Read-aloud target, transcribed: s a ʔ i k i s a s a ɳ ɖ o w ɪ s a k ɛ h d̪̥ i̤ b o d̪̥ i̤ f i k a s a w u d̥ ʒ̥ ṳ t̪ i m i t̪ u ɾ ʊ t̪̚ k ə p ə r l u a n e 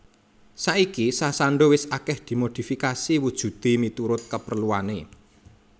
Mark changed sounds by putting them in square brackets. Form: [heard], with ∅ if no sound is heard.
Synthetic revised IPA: s a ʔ i k i s a s a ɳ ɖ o w ɪ s a k ɛ h d̪̥ i̤ [m] o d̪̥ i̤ f i k a s [i] w u d̥ ʒ̥ ṳ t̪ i m i t̪ u ɾ ʊ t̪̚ k ə p ə r l u a n e